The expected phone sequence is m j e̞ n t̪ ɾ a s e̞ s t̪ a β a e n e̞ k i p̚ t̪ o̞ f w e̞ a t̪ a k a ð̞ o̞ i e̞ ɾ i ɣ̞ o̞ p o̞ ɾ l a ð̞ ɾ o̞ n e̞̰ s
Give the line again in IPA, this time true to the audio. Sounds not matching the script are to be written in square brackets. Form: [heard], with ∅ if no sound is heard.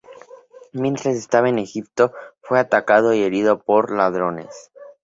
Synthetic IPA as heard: m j e̞ n t̪ ɾ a s e̞ s t̪ a β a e n e̞ [x] i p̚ t̪ o̞ f w e̞ a t̪ a k a ð̞ o̞ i e̞ ɾ i [ð̞] o̞ p o̞ ɾ l a ð̞ ɾ o̞ n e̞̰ s